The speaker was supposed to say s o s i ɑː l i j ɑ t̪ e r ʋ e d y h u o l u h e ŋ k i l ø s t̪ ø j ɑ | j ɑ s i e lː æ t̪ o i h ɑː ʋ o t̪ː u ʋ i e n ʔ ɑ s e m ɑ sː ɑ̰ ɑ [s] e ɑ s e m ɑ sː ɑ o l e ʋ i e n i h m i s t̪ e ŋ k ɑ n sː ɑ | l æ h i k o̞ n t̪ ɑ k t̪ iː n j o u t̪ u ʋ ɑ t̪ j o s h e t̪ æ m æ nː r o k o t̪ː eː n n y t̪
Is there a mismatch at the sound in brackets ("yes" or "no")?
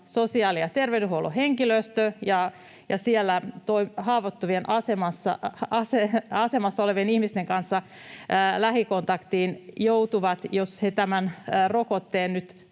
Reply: no